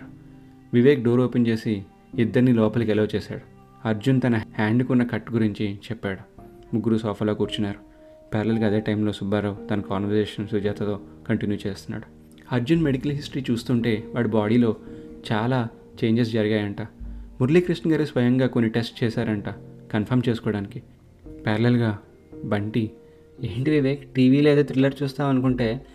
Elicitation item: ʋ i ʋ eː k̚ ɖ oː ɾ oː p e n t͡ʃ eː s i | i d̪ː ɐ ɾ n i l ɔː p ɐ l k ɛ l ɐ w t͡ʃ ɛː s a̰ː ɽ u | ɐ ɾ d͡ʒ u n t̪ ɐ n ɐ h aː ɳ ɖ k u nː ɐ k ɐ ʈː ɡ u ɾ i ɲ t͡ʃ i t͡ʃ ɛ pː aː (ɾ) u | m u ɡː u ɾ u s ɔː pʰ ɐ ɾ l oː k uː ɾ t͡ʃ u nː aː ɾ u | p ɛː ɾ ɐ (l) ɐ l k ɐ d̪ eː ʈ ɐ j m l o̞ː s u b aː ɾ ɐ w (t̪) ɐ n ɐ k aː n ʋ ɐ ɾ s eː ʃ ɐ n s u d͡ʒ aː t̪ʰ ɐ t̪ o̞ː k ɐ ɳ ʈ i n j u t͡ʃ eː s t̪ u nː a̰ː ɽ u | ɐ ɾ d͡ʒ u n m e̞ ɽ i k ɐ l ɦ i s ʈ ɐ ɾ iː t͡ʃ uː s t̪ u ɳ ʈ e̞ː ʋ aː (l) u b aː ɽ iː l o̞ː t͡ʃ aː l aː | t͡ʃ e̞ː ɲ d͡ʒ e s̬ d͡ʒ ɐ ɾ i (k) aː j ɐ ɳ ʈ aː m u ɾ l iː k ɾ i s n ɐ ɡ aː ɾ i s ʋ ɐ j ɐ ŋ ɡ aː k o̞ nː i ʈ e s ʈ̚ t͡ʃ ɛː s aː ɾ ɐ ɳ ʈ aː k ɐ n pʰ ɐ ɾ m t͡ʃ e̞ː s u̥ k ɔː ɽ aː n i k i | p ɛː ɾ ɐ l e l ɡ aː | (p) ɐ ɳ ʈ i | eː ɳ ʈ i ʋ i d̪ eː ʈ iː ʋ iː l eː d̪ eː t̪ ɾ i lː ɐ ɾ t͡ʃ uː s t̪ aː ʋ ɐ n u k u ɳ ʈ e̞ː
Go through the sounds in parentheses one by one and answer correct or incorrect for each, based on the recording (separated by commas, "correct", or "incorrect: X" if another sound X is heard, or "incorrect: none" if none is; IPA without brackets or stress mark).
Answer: incorrect: ɽ, correct, correct, incorrect: ɽ, incorrect: ɡ, incorrect: b